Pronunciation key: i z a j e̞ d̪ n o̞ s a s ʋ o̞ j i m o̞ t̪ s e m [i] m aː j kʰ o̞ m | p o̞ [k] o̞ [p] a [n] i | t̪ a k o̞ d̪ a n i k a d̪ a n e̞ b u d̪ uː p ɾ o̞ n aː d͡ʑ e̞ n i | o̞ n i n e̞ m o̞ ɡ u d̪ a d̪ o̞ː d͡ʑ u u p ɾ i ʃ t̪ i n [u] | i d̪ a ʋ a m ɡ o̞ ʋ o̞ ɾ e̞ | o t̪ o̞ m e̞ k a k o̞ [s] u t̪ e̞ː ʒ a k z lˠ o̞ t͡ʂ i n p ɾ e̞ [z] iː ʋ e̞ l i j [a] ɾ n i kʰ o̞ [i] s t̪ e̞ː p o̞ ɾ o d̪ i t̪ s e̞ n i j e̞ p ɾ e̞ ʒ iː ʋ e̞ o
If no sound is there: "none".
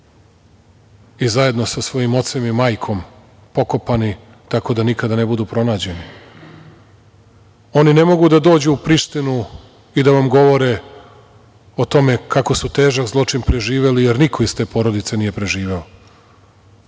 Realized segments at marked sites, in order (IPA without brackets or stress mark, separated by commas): i, k, p, n, u, s, ʒ, e, i